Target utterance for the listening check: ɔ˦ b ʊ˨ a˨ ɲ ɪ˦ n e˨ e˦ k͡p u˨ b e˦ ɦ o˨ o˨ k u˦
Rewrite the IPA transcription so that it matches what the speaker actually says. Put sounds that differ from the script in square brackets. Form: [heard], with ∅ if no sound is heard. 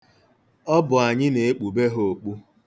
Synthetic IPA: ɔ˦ b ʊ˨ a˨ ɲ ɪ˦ n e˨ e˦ k͡p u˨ b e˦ ɦ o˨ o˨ [k͡p] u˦